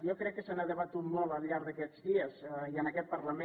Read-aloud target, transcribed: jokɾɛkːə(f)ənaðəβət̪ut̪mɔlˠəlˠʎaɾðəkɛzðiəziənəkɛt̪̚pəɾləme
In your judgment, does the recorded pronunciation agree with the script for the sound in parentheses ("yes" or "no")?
no